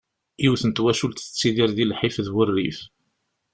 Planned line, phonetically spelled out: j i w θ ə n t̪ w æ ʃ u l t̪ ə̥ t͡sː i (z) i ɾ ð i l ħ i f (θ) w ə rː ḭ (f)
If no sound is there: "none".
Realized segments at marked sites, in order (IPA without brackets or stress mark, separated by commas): ð, ð, f